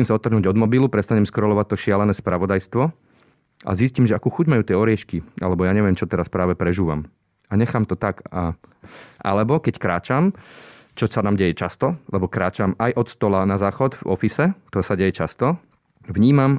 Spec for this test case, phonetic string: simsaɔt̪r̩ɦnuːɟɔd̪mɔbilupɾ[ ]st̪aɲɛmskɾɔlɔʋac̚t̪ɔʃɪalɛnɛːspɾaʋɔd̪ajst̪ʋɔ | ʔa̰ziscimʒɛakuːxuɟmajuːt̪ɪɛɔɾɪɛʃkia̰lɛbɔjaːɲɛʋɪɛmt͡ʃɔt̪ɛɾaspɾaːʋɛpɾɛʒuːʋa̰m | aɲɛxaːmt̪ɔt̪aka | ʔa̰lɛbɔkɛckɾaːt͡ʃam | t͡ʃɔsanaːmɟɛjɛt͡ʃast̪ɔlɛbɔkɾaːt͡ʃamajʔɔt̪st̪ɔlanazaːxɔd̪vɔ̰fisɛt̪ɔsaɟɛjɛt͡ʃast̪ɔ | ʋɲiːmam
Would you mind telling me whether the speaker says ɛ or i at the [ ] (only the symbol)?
ɛ